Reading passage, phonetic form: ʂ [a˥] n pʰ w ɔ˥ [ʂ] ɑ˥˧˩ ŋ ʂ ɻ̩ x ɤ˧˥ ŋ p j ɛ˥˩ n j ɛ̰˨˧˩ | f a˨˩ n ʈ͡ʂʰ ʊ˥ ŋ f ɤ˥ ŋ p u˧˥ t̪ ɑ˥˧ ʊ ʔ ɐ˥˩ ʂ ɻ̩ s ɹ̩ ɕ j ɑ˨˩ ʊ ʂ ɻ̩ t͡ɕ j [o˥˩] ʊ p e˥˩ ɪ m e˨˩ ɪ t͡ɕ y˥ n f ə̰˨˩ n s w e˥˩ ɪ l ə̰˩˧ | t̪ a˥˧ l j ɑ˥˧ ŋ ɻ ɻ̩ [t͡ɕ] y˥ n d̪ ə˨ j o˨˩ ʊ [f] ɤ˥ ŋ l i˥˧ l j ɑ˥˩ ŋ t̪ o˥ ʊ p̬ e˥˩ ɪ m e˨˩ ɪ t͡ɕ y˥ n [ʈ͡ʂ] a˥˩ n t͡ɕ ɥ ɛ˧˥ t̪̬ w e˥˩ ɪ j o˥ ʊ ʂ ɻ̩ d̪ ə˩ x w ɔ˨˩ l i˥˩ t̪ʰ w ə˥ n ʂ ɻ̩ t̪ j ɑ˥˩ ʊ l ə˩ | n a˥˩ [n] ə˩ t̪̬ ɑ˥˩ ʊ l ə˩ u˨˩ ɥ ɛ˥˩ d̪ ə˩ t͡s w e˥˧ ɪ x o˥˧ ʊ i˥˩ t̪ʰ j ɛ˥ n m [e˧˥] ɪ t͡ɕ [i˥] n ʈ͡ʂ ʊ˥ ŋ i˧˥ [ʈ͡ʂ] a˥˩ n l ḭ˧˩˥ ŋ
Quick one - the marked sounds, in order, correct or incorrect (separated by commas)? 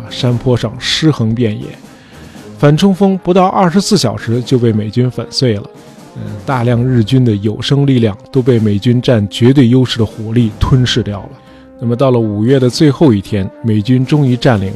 correct, correct, incorrect, correct, incorrect, correct, incorrect, incorrect, incorrect, correct